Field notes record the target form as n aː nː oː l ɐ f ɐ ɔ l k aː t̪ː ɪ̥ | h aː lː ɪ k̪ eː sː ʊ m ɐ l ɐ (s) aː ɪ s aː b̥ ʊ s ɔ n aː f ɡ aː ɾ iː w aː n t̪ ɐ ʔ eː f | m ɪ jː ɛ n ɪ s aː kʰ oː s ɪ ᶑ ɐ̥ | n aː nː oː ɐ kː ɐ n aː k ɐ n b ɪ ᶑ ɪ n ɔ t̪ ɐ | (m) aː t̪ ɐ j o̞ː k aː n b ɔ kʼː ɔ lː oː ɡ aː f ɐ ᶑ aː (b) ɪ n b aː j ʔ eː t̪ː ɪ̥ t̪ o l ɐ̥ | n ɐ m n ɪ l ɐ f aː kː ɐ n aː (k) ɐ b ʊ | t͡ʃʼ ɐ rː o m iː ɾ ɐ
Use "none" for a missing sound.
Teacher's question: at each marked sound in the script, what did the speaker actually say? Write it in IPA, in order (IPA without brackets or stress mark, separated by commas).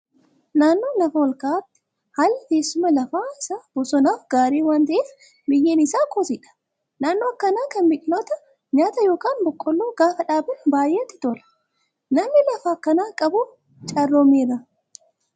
f, ɲ, b, kʼ